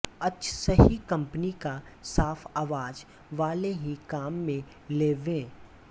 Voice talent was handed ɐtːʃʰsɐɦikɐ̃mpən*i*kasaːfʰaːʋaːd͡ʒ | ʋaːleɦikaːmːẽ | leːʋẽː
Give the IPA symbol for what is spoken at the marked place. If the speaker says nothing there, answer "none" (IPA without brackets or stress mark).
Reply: i